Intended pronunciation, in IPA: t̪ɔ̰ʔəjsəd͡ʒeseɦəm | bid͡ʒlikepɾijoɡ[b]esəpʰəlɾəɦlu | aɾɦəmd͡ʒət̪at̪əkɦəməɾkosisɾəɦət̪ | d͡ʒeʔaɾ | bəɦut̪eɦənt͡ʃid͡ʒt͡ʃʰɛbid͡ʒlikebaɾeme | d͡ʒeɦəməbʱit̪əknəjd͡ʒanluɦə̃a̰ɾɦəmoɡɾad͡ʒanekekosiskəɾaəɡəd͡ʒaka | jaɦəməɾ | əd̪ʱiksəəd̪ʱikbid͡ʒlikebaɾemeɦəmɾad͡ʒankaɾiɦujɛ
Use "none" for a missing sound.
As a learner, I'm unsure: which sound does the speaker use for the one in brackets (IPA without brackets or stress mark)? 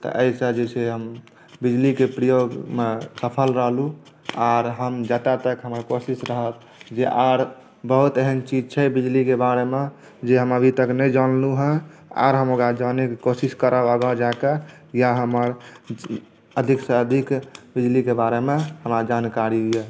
m